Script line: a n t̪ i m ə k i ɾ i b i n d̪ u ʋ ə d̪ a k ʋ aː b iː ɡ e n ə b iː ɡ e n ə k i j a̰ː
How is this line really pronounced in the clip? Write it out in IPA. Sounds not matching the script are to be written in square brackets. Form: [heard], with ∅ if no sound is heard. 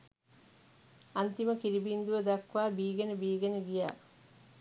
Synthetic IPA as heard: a n t̪ i m ə k i ɾ i b i n d̪ u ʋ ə d̪ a k ʋ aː b iː ɡ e n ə b iː ɡ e n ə [ɡ] i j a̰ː